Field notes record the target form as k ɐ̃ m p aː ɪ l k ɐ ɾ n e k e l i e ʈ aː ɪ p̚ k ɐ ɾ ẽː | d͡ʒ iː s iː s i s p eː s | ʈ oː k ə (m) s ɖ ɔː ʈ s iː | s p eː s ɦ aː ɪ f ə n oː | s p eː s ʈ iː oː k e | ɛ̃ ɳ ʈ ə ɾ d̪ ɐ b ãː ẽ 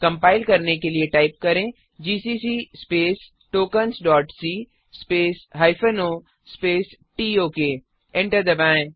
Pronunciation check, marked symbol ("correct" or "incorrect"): incorrect